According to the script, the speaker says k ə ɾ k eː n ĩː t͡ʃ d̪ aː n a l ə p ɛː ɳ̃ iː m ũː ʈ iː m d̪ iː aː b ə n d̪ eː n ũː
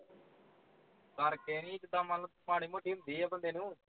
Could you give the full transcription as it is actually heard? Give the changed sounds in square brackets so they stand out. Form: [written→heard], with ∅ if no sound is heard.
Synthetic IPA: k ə ɾ k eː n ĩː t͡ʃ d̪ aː [n→m] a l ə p [ɛː→aː] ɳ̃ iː m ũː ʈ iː m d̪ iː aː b ə n d̪ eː n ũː